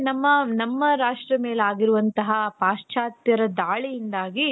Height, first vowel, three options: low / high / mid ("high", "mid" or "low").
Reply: low